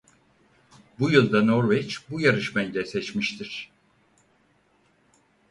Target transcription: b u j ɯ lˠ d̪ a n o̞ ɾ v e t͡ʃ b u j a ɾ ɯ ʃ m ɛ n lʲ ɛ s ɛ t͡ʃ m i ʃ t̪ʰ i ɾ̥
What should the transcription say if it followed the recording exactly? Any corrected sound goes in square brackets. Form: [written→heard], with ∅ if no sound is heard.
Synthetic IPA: b u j ɯ lˠ d̪ a n o̞ ɾ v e t͡ʃ b u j a ɾ ɯ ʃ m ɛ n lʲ ɛ s ɛ t͡ʃ m i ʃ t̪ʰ i ɾ̥